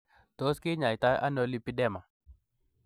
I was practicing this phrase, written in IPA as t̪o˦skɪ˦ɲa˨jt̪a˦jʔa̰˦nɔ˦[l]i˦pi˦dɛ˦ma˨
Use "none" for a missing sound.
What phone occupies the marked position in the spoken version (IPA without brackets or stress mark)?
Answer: l